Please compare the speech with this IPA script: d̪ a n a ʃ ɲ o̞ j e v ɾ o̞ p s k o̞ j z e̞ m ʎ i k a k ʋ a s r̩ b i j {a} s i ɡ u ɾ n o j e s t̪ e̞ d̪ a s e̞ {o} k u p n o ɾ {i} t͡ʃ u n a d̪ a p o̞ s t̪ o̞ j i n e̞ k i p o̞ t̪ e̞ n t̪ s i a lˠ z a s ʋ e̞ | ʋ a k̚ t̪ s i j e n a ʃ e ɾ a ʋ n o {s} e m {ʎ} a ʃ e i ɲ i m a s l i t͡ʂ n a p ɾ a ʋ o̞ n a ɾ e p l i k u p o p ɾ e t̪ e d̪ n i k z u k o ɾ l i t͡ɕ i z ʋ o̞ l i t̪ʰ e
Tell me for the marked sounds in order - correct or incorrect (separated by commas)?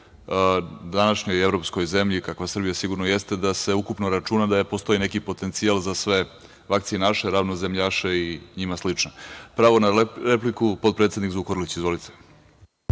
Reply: correct, incorrect, incorrect, incorrect, correct